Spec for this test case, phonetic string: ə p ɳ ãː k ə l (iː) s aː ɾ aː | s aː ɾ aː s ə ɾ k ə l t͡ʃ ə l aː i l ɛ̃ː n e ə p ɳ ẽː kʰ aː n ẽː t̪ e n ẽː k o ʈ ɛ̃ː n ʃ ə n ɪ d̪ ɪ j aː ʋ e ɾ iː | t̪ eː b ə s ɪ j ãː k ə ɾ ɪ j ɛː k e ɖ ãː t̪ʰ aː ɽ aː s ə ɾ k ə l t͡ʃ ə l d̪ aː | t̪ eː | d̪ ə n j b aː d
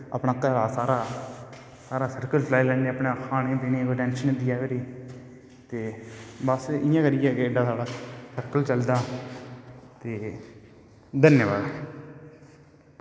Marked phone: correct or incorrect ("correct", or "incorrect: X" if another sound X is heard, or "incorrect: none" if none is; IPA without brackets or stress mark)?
incorrect: aː